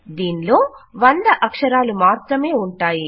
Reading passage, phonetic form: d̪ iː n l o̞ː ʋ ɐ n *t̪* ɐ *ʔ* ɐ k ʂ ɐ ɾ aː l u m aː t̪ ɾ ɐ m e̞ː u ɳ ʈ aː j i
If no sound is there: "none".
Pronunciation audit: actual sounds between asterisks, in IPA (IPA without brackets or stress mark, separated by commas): d̪, ʔ